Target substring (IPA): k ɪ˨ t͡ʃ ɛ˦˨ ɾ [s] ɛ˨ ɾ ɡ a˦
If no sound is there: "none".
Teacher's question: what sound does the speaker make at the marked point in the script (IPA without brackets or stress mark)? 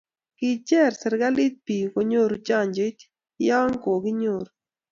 s